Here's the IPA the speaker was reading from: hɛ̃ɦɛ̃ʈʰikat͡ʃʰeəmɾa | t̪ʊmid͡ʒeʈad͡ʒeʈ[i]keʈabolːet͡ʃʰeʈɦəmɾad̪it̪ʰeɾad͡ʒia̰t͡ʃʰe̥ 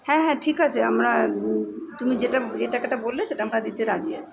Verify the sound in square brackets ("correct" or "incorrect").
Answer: incorrect